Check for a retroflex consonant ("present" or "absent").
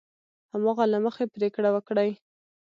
present